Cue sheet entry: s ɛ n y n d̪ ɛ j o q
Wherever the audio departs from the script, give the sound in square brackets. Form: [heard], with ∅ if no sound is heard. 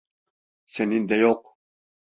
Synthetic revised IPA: s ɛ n [i] n d̪ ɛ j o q